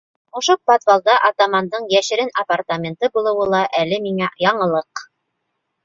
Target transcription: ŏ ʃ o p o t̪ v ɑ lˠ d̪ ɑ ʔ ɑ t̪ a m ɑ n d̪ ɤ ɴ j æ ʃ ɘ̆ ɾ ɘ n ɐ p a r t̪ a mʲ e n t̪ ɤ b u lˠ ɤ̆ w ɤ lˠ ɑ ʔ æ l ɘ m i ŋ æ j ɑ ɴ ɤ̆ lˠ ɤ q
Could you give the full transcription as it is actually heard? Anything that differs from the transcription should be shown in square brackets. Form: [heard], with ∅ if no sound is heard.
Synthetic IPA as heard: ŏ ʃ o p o t̪ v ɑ lˠ d̪ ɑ ʔ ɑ t̪ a m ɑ n d̪ ɤ ɴ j æ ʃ ɘ̆ ɾ ɘ n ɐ p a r t̪ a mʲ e n t̪ ɤ b u lˠ ɤ̆ w ɤ lˠ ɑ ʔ æ l ɘ m i ŋ æ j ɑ ɴ ɤ̆ lˠ ɤ q